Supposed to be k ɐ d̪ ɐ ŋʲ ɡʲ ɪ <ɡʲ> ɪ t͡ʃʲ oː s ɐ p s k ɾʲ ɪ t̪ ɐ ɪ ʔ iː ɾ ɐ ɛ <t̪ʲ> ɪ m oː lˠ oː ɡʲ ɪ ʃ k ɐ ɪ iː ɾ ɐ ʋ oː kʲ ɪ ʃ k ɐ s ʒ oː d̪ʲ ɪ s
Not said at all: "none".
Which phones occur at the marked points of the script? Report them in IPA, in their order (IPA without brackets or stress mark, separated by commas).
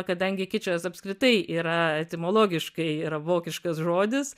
kʲ, t̪ʲ